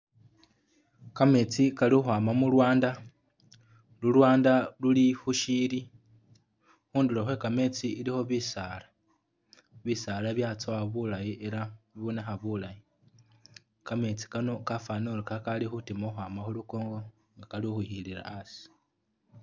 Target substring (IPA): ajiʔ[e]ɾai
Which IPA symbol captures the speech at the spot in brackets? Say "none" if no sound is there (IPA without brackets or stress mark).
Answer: e